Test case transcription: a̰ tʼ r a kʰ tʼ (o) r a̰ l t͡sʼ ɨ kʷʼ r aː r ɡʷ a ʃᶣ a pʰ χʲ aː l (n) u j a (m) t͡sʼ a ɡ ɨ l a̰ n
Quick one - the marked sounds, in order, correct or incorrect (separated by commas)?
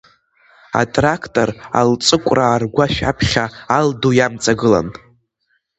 correct, incorrect, correct